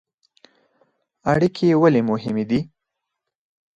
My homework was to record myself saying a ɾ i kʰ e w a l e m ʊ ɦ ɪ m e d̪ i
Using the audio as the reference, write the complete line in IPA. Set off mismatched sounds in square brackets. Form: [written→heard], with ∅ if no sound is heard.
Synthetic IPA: a [ɾ→ɽ] i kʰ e w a l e m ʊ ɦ ɪ m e d̪ i